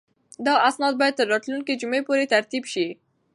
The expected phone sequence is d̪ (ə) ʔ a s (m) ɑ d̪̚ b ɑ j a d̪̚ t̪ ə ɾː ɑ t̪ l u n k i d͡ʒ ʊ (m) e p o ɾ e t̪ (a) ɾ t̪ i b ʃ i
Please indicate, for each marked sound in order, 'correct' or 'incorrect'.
incorrect: ɑ, incorrect: n, correct, correct

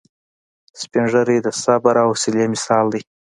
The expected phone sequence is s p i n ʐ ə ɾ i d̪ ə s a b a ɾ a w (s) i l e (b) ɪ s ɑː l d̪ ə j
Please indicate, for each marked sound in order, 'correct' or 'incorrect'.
correct, incorrect: m

